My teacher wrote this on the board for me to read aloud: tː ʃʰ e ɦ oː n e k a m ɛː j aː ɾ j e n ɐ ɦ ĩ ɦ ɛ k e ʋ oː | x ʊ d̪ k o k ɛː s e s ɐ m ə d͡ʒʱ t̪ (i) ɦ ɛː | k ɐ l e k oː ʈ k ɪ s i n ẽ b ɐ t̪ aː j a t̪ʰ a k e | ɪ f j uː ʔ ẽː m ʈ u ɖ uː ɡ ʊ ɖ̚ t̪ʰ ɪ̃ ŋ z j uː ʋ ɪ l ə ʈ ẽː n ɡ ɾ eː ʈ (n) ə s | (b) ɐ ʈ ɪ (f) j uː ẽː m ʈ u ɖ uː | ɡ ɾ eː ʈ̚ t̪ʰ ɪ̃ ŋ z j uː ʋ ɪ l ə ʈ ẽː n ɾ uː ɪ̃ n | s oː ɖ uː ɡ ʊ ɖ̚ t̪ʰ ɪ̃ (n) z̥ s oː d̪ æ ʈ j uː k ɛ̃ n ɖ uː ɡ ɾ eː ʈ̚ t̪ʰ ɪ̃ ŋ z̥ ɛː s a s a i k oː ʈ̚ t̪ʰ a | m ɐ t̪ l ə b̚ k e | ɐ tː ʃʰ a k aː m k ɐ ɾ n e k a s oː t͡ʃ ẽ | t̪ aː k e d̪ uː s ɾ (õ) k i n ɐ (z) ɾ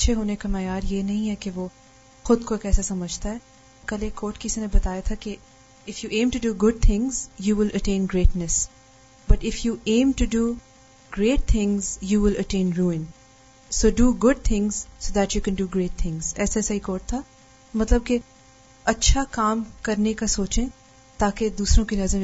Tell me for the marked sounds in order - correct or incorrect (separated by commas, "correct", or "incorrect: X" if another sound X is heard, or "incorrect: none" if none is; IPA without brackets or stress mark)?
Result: incorrect: a, correct, correct, correct, incorrect: ŋ, correct, correct